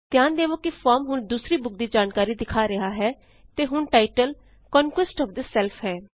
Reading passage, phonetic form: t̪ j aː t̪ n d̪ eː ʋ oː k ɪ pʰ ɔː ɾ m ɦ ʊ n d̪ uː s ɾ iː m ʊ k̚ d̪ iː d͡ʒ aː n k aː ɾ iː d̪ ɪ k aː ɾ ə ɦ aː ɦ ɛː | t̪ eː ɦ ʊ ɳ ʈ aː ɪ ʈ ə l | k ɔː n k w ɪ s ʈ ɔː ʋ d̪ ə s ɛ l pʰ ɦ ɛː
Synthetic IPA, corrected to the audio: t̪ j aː n d̪ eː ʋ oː k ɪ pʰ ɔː ɾ m ɦ ʊ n d̪ uː s ɾ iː b ʊ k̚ d̪ iː d͡ʒ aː n k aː ɾ iː d̪ ɪ kʰ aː ɾ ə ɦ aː ɦ ɛː | t̪ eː ɦ ʊ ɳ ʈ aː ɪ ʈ ə l | k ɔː n k w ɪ s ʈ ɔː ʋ d̪ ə s ɛ l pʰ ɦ ɛː